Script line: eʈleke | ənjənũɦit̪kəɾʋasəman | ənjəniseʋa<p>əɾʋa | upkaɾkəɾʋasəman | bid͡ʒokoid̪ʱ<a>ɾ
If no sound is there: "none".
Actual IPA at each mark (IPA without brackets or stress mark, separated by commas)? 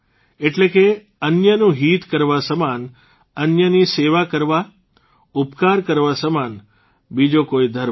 k, ə